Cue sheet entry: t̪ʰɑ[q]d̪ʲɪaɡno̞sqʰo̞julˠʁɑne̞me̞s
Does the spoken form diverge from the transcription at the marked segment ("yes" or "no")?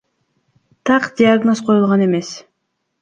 no